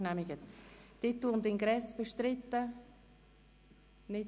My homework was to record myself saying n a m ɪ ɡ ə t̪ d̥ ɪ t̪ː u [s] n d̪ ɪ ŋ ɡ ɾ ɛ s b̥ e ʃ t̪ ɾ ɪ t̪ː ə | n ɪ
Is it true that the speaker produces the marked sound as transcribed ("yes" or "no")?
no